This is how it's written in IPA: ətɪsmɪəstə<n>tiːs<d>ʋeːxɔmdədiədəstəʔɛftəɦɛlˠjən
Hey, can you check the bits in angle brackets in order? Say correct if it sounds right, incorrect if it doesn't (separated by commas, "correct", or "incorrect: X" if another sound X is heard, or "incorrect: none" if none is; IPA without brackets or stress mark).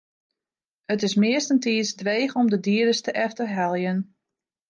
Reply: correct, correct